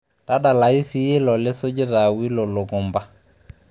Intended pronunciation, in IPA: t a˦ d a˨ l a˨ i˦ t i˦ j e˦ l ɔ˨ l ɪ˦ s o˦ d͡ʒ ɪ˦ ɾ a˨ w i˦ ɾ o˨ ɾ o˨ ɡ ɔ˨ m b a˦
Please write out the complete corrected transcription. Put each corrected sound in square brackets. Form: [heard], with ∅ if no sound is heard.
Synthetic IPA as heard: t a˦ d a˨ l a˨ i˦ [s] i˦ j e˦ l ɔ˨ l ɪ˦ s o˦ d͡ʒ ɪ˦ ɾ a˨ w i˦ [l] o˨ [l] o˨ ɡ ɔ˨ m b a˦